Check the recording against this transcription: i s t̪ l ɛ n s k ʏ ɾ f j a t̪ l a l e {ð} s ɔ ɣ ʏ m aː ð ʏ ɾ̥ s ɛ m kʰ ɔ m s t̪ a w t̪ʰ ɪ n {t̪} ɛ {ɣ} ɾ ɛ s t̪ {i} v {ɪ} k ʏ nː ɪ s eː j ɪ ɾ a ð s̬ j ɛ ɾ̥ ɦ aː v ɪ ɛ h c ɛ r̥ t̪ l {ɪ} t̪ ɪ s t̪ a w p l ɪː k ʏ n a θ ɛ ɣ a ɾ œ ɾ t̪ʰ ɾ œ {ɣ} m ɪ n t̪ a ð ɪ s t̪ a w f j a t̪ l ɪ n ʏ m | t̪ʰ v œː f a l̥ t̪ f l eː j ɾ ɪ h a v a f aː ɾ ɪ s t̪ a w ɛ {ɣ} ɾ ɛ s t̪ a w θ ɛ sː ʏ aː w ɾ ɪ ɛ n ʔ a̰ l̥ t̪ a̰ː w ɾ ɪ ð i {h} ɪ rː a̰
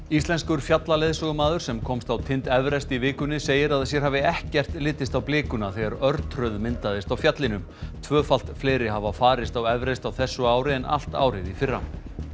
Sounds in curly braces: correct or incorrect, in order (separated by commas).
correct, correct, incorrect, correct, incorrect, incorrect, incorrect, incorrect, incorrect